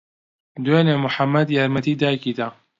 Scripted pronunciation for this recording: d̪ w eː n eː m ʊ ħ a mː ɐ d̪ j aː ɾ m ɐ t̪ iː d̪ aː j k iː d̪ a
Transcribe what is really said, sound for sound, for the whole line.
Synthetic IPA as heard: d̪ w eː n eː m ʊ ħ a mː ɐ d̪ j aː ɾ m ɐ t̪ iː d̪ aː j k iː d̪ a